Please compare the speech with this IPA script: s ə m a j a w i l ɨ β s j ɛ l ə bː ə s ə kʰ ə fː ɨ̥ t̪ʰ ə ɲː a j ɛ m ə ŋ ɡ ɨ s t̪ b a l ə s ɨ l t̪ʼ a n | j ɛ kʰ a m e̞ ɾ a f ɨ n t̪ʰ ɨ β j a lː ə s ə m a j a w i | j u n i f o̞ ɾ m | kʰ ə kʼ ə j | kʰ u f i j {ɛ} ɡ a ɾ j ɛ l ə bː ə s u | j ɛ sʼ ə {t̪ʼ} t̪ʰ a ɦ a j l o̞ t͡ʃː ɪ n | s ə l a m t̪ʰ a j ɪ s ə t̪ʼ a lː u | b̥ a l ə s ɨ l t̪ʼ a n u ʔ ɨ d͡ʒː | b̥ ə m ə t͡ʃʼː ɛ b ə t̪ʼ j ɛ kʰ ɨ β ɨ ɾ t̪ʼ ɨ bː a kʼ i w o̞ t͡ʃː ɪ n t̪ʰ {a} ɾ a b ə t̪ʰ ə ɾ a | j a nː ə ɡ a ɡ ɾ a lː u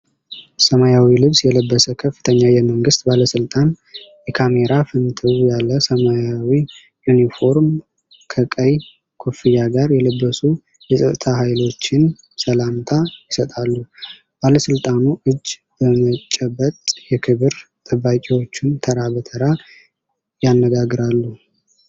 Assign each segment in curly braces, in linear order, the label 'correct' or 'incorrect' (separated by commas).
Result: incorrect, correct, incorrect